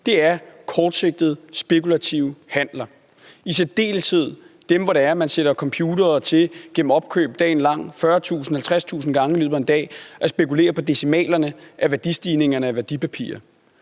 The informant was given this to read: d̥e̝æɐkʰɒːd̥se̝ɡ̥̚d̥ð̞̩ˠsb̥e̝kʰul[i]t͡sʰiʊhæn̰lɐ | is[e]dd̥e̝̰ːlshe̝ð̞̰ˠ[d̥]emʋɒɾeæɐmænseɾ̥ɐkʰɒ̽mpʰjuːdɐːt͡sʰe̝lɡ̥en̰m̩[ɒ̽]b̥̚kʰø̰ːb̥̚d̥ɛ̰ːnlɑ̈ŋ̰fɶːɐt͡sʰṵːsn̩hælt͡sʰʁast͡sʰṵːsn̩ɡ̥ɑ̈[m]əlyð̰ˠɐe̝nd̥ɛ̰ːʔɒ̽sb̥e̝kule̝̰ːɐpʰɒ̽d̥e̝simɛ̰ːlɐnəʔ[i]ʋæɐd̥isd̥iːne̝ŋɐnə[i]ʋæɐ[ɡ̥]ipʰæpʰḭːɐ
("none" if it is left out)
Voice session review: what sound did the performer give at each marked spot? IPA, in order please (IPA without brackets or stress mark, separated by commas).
æ, e, d̥, ɒ̽, ŋ, æ, æ, d̥